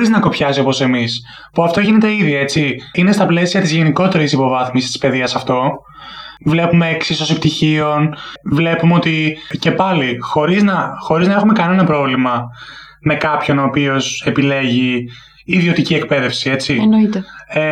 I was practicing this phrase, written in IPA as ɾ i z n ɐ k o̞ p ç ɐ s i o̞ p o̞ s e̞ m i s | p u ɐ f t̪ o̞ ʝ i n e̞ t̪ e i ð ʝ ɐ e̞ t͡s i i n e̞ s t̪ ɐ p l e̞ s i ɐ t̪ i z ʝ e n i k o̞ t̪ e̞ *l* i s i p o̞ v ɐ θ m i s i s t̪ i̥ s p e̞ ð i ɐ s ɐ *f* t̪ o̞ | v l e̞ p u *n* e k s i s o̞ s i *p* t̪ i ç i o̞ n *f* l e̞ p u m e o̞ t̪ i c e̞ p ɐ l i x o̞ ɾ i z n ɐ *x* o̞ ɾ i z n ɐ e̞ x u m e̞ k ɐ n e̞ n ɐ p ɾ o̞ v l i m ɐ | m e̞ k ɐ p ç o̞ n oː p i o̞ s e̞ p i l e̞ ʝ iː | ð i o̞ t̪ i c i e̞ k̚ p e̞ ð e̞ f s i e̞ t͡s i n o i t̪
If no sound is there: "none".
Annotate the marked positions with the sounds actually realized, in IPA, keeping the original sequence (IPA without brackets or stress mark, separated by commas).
ɾ, f, m, p, v, x